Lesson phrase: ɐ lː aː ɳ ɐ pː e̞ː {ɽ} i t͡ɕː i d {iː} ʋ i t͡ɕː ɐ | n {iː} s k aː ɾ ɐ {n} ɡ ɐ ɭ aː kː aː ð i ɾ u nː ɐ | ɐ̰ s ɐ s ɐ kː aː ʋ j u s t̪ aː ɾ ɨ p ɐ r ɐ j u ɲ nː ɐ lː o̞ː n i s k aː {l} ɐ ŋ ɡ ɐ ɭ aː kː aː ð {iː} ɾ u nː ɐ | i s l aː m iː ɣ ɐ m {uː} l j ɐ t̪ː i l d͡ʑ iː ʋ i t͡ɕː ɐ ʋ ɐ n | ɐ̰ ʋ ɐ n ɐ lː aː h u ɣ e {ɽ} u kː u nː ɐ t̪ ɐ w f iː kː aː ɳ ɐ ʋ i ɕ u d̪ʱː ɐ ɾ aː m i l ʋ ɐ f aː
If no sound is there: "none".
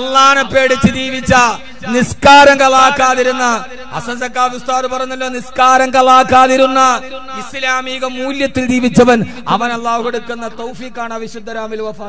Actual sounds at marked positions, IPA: ɽ, iː, i, ŋ, ɾ, i, uː, ɽ

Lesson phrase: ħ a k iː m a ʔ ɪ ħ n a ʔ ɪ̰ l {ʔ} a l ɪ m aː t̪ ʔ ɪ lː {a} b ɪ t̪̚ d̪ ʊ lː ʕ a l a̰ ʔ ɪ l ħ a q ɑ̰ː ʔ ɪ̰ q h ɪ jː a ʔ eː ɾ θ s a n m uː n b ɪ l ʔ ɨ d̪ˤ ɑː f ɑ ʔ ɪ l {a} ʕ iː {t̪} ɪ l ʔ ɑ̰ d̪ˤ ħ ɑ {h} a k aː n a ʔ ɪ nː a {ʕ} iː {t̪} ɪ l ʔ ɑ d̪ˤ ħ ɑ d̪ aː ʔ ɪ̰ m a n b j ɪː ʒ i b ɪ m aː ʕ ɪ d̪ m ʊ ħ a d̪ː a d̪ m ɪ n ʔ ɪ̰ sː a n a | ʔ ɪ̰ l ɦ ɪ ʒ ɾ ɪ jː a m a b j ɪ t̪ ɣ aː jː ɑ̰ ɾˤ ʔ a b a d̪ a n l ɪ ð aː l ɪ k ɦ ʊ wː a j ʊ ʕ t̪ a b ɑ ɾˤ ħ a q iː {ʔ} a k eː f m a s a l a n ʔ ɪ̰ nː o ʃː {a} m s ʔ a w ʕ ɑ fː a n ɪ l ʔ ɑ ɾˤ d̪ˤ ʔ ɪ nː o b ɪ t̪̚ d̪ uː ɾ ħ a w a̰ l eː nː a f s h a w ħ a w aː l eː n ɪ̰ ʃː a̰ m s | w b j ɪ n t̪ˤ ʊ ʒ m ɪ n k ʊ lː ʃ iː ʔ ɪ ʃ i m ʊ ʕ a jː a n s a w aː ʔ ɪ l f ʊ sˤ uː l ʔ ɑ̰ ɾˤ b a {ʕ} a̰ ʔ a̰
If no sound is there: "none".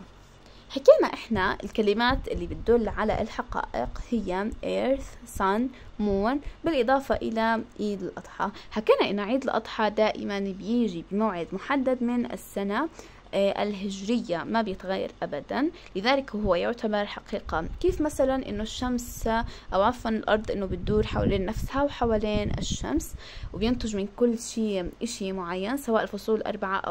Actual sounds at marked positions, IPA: k, i, a, d̪, h, ʕ, d̪, q, a, ʕ

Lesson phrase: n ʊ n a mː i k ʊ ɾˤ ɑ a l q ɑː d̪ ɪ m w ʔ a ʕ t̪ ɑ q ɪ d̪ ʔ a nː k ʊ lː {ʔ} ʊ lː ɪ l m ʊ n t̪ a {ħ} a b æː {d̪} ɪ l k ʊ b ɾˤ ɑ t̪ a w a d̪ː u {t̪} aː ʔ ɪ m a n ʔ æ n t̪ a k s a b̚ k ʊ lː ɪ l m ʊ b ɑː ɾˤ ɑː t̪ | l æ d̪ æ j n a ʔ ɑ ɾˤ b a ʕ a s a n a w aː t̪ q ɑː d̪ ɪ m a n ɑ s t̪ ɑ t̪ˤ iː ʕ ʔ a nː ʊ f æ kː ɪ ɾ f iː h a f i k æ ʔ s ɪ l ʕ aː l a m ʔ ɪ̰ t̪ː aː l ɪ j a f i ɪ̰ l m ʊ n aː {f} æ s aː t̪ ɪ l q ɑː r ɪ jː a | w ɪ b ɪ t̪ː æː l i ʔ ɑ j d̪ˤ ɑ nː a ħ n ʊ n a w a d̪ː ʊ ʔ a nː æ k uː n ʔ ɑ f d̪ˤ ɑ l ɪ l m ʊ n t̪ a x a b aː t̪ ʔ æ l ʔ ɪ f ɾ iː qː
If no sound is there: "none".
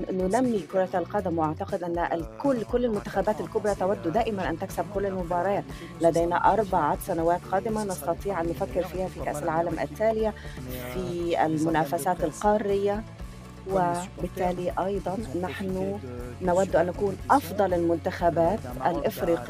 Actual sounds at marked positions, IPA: k, x, t̪, d̪, f

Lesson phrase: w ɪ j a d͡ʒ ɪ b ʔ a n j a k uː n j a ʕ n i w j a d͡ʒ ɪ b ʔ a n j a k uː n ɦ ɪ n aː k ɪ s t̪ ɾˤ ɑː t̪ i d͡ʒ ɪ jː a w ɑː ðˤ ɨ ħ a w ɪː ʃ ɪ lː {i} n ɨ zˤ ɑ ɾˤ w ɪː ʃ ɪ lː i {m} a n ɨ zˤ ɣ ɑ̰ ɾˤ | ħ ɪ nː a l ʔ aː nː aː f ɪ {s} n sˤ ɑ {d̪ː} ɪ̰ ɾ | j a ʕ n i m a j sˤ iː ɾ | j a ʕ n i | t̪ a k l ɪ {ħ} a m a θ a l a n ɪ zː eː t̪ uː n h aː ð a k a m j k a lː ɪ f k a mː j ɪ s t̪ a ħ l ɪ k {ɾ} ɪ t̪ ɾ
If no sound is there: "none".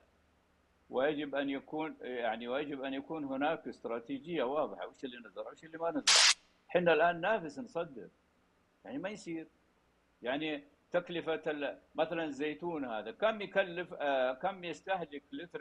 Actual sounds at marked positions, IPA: i, m, s, d̪ː, f, l

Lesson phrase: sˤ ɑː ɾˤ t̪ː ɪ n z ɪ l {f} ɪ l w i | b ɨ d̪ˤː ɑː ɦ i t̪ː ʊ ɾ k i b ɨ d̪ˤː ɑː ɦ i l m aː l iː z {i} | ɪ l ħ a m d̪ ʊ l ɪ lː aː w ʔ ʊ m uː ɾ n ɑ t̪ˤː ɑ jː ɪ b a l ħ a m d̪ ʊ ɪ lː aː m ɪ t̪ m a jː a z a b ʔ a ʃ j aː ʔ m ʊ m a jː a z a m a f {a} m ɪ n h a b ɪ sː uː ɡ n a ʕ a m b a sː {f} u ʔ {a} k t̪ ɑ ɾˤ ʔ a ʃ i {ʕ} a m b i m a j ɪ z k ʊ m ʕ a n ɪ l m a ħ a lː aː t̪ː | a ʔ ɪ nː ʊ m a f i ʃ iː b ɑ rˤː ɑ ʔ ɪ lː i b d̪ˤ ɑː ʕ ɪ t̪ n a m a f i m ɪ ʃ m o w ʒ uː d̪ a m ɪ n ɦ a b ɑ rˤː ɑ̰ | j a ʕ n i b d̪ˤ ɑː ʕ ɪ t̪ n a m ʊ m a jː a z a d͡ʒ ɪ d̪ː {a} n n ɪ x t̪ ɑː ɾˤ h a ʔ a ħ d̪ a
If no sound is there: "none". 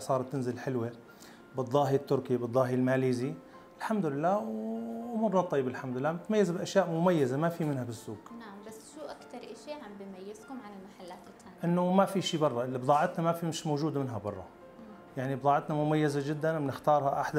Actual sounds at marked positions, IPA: ħ, i, i, ʃ, a, ʕ, a

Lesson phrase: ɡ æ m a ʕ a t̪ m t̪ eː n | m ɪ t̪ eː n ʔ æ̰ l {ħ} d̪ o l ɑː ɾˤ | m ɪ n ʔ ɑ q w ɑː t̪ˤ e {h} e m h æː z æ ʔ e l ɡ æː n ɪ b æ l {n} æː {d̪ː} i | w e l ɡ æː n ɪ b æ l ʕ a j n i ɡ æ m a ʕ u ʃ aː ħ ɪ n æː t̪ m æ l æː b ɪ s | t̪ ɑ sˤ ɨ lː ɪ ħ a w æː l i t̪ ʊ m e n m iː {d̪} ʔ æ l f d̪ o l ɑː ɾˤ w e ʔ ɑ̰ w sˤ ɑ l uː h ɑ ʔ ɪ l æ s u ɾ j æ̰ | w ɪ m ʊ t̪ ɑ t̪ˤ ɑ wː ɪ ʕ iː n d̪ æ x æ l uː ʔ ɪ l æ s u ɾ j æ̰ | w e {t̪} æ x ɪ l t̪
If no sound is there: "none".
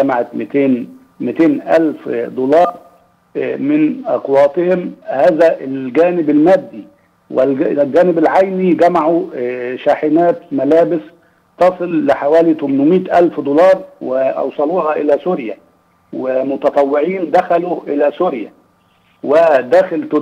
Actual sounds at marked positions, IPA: f, h, m, d̪ː, t̪, d̪

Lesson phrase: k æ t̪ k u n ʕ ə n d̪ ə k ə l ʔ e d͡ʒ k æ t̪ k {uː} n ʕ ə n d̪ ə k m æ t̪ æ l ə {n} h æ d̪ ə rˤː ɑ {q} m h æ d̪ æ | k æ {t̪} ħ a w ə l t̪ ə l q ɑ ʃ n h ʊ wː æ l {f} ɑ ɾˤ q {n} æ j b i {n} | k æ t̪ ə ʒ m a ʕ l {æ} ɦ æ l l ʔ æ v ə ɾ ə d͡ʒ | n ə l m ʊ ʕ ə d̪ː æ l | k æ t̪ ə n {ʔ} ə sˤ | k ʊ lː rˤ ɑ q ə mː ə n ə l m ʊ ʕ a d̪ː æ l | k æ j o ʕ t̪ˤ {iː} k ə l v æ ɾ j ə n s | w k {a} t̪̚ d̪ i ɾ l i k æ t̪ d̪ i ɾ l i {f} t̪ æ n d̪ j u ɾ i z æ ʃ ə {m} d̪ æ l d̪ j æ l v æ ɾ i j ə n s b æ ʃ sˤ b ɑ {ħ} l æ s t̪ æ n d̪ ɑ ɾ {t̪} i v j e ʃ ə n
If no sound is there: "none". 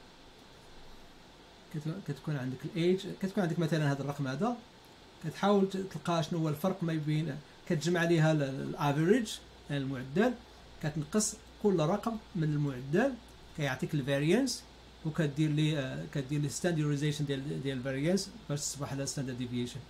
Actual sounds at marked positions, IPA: u, n, q, t̪, f, m, n, i, q, i, æ, s, n, ħ, d̪

